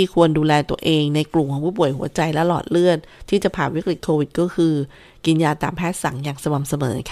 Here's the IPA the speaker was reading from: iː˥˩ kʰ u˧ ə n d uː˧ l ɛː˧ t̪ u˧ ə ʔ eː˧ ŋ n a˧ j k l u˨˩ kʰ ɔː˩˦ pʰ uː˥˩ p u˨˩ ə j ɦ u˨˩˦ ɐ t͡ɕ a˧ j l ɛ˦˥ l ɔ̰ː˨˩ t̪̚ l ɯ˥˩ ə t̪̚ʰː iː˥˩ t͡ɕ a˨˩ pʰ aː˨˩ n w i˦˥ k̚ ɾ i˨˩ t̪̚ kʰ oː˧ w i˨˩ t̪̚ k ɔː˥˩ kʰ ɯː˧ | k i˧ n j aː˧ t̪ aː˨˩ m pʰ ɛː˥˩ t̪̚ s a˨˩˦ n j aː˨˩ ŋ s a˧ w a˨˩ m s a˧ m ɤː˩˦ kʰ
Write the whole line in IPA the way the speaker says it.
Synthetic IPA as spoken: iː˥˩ kʰ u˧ ə n d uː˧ l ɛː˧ t̪ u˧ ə ʔ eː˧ ŋ n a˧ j k l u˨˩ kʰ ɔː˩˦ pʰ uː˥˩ p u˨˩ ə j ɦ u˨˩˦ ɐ t͡ɕ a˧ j l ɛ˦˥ l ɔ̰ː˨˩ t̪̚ l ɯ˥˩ ə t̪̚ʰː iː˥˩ t͡ɕ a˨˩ pʰ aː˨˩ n w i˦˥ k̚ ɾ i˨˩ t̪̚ kʰ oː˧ w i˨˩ t̪̚ k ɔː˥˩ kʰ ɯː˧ | k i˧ n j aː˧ t̪ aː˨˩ m pʰ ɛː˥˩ t̪̚ s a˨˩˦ ŋ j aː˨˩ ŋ s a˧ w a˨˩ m s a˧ m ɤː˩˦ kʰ